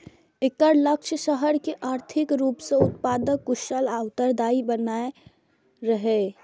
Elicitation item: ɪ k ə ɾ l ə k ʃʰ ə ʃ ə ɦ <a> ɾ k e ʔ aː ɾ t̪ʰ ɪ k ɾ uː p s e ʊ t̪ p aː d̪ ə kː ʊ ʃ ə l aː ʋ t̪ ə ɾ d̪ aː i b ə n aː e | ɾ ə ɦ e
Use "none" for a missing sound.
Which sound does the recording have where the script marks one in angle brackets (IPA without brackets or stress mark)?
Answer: ə